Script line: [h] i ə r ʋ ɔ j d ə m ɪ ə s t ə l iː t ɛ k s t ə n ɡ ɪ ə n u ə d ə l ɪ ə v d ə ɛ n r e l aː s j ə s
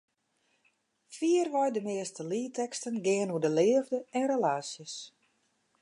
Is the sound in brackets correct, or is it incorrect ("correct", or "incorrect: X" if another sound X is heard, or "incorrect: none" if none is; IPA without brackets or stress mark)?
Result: incorrect: f